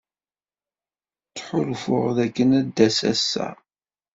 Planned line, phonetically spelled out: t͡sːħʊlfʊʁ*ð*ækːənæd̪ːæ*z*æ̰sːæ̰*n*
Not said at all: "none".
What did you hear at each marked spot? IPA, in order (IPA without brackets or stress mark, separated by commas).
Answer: ð, s, none